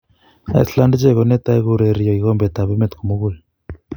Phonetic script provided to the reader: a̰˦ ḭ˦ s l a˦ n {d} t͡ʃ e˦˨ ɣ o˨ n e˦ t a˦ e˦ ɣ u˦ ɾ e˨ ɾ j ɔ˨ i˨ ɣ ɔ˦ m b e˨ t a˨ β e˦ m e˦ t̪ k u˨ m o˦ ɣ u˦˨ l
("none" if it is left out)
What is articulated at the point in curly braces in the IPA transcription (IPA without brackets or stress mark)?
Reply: d